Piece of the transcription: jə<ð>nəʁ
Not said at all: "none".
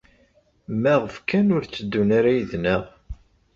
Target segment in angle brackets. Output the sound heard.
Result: ð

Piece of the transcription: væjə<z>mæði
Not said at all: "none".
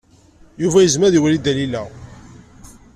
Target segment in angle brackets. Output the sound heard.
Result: z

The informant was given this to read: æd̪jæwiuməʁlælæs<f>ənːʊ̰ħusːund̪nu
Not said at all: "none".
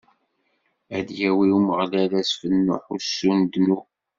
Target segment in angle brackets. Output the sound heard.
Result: f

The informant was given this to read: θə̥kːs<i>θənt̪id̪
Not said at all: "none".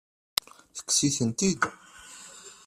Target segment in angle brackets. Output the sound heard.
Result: i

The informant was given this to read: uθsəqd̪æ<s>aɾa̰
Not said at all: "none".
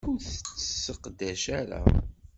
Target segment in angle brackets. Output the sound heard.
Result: ʃ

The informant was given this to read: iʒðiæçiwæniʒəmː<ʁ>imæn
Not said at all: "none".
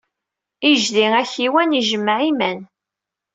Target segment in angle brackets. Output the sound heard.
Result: ʕ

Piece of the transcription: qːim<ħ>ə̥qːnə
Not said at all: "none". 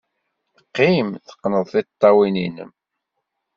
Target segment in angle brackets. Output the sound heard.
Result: θ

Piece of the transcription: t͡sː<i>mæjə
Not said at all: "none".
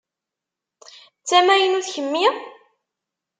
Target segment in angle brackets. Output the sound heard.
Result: æ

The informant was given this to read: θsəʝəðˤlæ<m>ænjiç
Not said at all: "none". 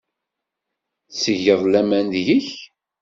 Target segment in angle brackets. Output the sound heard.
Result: m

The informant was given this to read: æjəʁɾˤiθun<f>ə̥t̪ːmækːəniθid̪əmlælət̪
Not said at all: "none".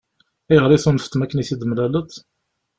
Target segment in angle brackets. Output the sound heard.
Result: f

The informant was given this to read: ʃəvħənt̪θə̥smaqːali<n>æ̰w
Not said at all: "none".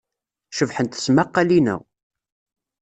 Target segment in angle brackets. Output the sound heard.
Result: n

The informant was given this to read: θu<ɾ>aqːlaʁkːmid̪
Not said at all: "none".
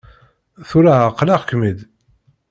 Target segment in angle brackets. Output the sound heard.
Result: ɾ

